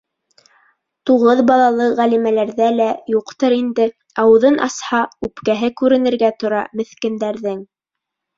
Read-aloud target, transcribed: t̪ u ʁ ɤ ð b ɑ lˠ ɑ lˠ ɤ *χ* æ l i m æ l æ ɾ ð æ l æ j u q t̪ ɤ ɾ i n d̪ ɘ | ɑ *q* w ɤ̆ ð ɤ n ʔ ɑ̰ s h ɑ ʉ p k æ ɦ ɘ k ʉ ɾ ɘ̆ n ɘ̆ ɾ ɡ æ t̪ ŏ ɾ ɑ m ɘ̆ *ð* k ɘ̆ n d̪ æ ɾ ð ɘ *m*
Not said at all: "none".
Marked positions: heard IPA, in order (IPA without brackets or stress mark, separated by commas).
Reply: ʁ, none, θ, ŋ